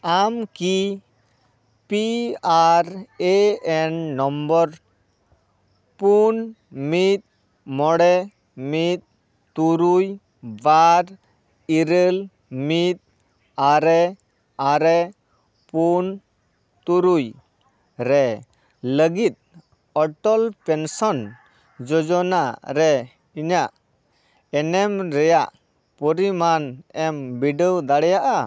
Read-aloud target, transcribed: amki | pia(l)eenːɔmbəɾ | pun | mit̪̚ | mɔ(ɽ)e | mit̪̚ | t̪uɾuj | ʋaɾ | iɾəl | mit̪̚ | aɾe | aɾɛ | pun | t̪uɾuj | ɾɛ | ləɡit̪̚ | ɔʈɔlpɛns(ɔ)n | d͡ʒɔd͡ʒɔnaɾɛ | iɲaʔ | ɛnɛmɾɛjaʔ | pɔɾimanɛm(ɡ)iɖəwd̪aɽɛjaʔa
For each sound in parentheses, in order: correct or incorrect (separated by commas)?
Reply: incorrect, correct, correct, incorrect